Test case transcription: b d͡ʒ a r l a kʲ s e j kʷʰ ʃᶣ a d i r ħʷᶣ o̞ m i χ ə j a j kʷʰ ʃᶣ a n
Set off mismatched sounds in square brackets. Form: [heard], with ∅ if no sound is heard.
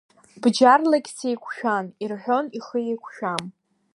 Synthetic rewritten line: b d͡ʒ a r l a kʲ s e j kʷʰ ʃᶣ a [n] i r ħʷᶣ o̞ [n] i χ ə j [e] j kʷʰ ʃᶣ a [m]